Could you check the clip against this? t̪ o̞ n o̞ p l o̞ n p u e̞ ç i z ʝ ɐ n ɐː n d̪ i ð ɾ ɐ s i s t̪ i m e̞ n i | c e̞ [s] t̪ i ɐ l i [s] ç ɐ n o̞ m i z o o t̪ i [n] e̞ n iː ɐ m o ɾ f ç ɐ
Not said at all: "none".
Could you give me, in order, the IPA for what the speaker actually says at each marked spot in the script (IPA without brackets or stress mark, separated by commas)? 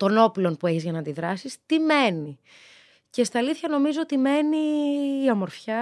s, θ, m